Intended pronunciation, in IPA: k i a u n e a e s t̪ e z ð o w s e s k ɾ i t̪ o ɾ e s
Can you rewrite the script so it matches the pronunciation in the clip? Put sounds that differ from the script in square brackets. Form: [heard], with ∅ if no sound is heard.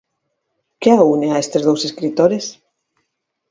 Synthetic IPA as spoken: k [e] a u n e a e s t̪ e z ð o w s e s k ɾ i t̪ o ɾ e s